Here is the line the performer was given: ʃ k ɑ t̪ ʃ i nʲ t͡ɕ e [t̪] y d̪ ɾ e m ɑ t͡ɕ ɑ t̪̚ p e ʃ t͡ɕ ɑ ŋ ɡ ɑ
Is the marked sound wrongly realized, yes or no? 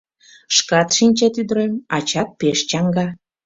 no